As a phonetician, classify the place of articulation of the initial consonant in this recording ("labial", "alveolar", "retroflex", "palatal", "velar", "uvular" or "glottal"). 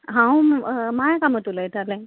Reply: glottal